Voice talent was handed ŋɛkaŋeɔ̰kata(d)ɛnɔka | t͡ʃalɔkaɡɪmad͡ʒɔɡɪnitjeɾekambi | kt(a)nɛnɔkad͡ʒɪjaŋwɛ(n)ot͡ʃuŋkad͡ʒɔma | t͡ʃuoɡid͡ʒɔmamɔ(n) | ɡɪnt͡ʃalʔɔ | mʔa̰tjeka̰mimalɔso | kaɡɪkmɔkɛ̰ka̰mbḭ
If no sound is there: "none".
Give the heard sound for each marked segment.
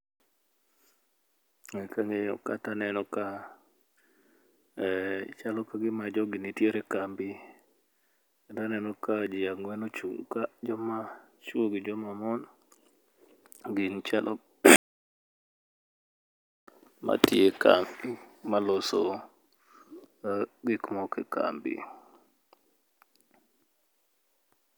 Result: n, a, n, n

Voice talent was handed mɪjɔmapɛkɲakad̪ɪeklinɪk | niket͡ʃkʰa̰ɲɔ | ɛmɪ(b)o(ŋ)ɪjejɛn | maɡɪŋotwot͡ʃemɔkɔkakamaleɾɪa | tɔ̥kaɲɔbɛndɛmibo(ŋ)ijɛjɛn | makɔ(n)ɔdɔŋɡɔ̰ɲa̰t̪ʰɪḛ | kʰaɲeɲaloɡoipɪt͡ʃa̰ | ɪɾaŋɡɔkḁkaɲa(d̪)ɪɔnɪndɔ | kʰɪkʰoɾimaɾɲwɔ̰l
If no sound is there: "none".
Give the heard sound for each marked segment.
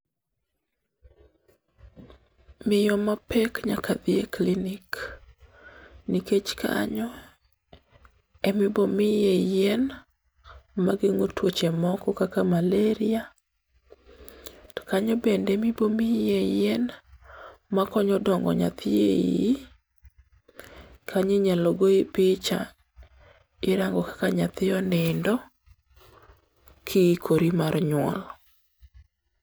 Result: b, m, m, ɲ, t̪

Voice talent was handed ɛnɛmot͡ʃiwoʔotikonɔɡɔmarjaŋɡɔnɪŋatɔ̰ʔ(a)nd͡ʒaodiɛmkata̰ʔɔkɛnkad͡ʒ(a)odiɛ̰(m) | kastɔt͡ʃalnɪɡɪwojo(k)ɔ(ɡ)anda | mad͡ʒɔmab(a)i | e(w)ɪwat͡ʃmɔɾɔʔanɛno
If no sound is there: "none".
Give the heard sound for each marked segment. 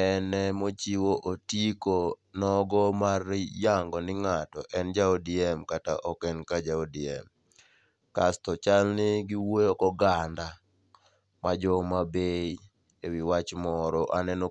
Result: ɛ, a, m, k, ɡ, e, w

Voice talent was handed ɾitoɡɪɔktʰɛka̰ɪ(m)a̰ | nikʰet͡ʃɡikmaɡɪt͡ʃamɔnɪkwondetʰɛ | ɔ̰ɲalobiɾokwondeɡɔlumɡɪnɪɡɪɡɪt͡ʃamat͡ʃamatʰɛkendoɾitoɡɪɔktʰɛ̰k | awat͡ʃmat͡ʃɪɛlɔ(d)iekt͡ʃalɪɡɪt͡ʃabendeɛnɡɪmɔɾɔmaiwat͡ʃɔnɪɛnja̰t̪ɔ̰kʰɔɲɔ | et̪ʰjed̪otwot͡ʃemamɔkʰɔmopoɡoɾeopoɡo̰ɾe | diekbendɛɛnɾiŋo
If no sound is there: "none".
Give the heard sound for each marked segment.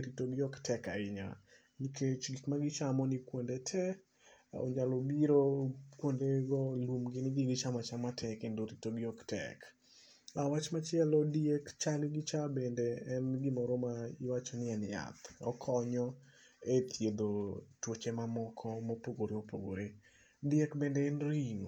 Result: ɲ, d

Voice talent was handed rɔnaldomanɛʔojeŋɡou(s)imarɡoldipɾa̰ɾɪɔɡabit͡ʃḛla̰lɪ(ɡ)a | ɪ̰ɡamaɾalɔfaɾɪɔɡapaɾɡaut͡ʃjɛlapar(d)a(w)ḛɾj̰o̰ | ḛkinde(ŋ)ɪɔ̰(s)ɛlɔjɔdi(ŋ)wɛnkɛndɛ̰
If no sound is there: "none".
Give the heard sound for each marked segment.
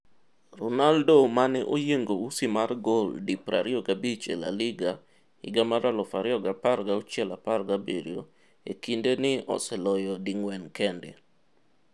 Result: s, ɡ, ɡ, b, n, s, ŋ

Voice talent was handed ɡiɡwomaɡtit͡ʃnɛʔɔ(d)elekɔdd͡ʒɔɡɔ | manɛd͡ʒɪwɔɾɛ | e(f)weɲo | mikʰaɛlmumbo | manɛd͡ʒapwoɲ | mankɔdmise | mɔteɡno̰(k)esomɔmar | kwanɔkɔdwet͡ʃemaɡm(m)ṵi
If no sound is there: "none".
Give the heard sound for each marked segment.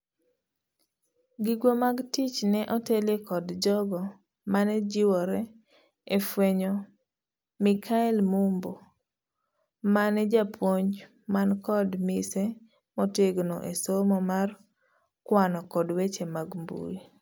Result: t, f, ʔ, b

